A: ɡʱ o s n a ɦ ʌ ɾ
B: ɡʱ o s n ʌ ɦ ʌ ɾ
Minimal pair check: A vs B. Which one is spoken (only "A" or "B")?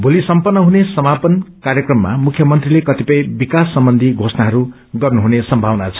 A